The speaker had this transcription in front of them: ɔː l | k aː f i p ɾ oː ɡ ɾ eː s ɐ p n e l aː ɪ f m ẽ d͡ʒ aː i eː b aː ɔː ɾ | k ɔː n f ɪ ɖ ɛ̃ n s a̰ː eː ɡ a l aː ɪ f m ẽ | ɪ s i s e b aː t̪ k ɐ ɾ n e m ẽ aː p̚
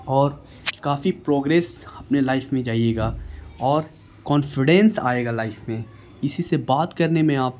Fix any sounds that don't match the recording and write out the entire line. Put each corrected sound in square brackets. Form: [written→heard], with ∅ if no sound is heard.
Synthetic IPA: ɔː [l→ɾ] | k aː f i p ɾ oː ɡ ɾ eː s ɐ p n e l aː ɪ f m ẽ d͡ʒ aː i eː [b→ɡ] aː ɔː ɾ | k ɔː n f ɪ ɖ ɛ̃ n s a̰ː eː ɡ a l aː ɪ f m ẽ | ɪ s i s e b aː t̪ k ɐ ɾ n e m ẽ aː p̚